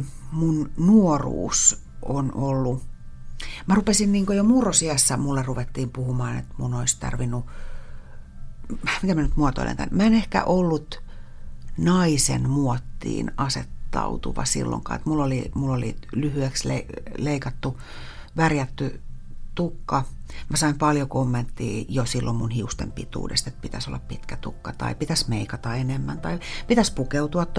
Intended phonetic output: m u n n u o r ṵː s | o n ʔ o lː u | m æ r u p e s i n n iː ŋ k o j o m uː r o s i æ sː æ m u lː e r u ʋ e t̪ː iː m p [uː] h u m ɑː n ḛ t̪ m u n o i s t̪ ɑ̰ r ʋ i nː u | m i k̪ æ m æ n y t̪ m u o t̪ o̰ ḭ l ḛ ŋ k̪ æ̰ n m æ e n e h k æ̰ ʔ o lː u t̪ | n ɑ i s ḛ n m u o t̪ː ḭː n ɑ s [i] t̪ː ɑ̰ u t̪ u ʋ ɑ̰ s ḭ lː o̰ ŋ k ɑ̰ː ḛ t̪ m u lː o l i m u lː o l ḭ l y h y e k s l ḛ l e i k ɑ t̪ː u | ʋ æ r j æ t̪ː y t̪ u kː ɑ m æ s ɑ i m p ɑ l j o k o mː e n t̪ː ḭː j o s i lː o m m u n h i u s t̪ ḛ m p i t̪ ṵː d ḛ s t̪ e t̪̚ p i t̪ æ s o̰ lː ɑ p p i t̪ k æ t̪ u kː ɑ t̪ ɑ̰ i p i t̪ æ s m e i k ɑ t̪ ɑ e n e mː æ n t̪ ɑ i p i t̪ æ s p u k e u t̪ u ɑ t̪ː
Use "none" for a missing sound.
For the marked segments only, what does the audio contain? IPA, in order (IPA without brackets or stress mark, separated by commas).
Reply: u, e